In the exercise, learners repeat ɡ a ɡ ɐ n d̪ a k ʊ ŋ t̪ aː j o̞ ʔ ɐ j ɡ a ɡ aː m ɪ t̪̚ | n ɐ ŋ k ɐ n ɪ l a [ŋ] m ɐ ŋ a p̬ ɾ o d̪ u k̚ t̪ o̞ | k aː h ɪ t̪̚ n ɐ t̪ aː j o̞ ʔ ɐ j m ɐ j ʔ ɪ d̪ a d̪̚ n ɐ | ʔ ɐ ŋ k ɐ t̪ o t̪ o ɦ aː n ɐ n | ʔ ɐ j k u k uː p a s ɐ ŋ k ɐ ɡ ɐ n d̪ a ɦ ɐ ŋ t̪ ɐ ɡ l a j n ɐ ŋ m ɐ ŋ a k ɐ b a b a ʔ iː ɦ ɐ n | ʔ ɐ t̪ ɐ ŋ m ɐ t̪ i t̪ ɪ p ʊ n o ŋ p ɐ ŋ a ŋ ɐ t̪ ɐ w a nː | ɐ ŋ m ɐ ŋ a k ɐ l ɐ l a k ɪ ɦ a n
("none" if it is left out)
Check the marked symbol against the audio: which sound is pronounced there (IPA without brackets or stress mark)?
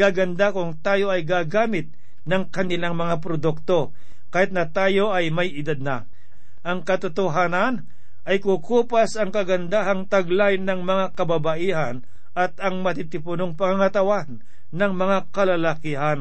ŋ